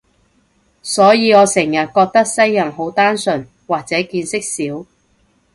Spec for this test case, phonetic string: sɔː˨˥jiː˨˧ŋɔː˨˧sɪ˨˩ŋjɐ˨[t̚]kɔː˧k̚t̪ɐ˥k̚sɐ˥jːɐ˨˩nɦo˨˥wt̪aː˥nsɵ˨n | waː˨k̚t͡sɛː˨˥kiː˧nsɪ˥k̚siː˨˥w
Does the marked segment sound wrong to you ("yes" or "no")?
no